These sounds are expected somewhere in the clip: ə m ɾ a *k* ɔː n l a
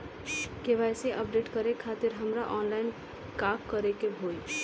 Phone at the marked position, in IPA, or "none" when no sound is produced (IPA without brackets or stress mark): ʔ